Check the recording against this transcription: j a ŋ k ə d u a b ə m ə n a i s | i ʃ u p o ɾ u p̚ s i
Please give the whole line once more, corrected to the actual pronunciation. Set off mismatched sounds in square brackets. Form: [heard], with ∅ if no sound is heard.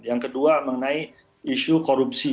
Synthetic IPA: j a ŋ k ə d u a [m] ə [ŋ] ə n a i [∅] | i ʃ u [k] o ɾ u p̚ s i